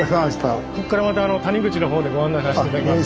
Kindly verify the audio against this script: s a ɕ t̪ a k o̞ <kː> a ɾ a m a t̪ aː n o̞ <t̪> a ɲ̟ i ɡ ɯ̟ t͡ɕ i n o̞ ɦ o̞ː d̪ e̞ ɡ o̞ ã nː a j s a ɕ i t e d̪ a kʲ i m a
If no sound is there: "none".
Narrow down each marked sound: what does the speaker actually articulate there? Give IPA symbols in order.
kː, t̪

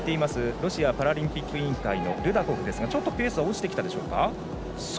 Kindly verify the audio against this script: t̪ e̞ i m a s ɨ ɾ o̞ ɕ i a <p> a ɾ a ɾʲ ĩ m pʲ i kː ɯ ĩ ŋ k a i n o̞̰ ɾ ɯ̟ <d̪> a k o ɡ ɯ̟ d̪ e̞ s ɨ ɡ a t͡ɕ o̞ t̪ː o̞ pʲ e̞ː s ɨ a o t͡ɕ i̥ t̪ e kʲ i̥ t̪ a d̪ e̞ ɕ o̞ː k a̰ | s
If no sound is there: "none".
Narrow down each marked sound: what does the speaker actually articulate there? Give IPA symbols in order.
p, d̪

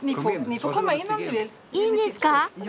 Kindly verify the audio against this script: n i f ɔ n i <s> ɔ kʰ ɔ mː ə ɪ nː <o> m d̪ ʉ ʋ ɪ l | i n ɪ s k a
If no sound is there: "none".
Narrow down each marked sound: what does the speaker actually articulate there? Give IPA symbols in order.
f, ɔ

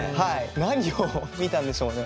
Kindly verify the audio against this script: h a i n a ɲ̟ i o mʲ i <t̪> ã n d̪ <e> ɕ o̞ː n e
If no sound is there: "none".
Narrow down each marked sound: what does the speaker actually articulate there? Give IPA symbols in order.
t̪, e

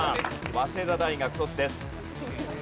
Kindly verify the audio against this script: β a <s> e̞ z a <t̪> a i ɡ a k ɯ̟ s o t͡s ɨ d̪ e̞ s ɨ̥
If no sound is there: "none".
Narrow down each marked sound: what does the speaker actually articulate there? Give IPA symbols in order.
s, d̪

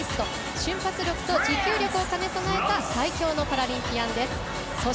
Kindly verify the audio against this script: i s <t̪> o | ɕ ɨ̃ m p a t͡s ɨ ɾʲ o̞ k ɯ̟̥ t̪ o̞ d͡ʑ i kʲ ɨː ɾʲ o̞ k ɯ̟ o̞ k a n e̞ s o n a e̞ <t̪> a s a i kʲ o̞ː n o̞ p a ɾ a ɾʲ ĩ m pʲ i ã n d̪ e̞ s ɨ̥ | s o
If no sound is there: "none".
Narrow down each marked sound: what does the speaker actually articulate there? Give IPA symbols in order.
t̪, t̪

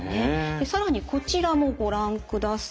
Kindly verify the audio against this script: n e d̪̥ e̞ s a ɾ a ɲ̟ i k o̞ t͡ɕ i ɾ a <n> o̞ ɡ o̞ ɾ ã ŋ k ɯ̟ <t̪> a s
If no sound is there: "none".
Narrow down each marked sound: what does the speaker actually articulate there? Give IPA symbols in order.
m, d̪

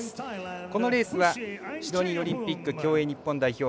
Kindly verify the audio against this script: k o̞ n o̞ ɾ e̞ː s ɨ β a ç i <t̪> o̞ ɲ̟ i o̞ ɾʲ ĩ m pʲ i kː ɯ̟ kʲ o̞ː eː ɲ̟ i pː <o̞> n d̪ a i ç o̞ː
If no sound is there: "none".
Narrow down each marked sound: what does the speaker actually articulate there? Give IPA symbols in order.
d̪, õ̞

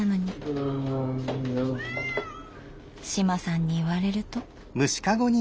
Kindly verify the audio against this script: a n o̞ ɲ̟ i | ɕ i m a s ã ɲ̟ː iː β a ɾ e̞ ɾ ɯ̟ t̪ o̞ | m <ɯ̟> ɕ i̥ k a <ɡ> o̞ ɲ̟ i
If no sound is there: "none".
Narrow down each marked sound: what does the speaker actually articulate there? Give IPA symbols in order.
ɯ̟, ɡ

